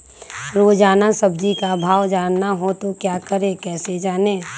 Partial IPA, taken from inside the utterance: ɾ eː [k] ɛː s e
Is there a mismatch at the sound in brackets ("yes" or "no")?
no